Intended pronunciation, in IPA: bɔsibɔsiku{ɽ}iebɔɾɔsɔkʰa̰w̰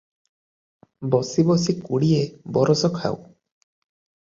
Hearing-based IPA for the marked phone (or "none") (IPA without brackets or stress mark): ɽ